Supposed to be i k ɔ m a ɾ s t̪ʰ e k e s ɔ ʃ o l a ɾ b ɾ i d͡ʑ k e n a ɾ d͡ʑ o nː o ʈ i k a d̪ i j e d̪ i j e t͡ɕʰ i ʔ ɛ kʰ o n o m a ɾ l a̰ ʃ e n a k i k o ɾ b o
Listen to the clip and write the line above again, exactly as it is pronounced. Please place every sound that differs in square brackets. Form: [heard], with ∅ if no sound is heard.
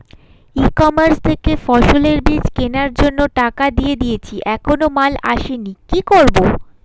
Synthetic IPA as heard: i k ɔ m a ɾ s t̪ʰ e k e [f] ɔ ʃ o l [e] ɾ b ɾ i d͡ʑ k e n a ɾ d͡ʑ o nː o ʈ [a] k a d̪ i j e d̪ i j e t͡ɕʰ i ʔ ɛ kʰ o n o m a [∅] l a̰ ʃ e n [i] k i k o ɾ b o